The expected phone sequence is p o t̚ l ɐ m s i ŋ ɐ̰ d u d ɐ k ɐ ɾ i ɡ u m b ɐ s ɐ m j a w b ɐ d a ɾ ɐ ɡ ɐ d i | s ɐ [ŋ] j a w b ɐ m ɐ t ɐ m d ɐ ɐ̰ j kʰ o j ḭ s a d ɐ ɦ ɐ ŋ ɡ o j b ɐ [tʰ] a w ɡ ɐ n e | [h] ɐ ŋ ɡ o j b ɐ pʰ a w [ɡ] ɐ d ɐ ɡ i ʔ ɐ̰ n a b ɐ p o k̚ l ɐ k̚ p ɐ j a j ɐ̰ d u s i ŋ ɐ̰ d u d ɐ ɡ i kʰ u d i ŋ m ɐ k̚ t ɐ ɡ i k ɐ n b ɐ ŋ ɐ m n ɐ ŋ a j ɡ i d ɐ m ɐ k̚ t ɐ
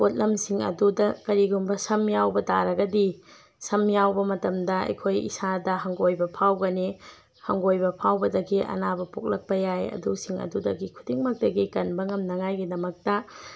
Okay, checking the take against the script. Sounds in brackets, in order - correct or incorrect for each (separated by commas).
incorrect, incorrect, correct, incorrect